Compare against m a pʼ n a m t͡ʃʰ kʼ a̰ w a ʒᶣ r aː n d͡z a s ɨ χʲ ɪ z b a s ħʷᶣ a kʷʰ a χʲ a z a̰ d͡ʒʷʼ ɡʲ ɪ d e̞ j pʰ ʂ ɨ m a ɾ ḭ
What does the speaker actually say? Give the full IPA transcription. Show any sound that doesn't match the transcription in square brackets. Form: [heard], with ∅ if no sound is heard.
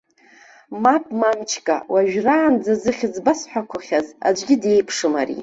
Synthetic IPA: m a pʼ [m] a m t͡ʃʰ kʼ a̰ w a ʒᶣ r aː n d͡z a [z] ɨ χʲ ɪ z b a s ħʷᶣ a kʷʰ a χʲ a z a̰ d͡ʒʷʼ ɡʲ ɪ d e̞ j pʰ ʂ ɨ m a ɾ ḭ